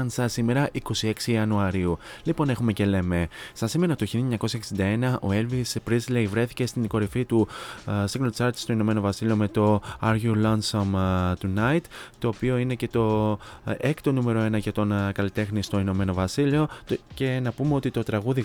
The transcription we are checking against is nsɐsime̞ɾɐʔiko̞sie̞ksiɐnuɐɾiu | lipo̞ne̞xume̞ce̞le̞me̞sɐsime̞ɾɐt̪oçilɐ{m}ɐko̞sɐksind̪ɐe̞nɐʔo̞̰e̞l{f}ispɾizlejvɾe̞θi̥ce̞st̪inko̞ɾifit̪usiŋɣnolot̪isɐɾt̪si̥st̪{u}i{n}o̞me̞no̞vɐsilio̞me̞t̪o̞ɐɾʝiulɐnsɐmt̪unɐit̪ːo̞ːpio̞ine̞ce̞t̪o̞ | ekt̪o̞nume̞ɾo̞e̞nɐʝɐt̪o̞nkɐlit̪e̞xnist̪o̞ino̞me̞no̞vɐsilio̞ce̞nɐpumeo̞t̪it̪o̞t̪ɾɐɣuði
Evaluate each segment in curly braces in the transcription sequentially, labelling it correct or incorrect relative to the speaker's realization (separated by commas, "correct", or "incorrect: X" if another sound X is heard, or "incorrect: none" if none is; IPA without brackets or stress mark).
incorrect: ɲ, incorrect: v, incorrect: o, correct